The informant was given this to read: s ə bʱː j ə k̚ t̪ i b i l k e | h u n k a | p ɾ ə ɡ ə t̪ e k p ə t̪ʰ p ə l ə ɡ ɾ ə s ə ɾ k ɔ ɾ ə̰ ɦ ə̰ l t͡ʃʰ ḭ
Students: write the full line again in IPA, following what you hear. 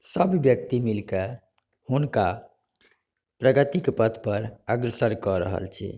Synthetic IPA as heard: s ə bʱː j ə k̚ t̪ i m i l k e | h u n k a | p ɾ ə ɡ ə t̪ i k p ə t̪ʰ p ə ɾ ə ɡ ɾ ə s ə ɾ k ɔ ɾ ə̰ ɦ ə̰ l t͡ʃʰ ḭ